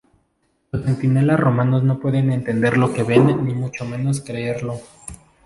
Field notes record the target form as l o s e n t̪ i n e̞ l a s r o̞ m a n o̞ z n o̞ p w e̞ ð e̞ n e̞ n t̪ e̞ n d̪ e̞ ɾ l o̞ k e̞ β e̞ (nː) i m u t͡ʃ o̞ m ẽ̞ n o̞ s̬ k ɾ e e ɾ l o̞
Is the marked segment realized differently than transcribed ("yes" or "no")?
no